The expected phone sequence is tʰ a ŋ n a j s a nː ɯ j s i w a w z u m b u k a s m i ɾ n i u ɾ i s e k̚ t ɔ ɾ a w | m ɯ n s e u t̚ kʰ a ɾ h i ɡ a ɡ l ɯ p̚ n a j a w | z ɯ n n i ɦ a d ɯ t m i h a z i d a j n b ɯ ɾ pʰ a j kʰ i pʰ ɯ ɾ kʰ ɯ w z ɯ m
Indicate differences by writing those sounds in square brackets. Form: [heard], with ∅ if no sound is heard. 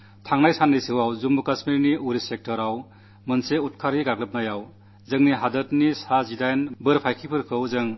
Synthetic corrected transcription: tʰ a ŋ n a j s a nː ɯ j s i w a w z u m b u k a s m i ɾ n i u ɾ i s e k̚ t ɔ ɾ a w | m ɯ n s e u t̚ kʰ a ɾ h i ɡ a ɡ l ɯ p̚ n a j a w | z ɯ [ŋ] n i ɦ a d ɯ t [n] i [s] a z i d a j n b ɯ ɾ pʰ a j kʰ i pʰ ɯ ɾ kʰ ɯ w z ɯ [ŋ]